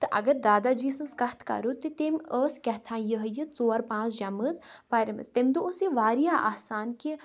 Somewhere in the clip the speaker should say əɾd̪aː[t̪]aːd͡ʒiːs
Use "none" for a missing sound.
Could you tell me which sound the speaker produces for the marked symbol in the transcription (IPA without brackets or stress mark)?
d̪